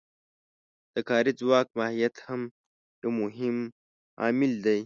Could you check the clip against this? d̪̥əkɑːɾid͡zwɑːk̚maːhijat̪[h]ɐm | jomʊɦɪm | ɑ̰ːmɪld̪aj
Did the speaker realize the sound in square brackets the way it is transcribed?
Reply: yes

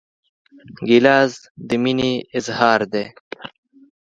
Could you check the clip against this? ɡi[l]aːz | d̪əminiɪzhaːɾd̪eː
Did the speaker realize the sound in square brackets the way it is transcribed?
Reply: yes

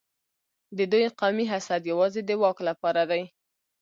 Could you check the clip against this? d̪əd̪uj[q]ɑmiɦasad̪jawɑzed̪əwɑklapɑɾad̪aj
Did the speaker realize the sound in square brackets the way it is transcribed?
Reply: yes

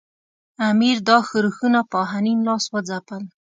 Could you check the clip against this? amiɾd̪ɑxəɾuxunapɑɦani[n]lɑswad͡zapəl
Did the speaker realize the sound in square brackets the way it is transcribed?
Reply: yes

